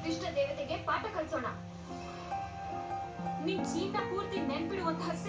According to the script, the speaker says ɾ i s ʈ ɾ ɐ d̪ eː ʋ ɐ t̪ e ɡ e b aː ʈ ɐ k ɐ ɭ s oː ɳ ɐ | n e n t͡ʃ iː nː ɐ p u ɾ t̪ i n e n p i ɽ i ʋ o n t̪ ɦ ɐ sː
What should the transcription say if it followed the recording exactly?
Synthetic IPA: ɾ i ʂ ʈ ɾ ɐ d̪ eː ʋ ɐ t̪ e ɡ e p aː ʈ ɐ k ɐ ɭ s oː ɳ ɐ | n i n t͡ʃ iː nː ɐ p uː ɾ t̪ i n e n p i ɽ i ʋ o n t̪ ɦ ɐ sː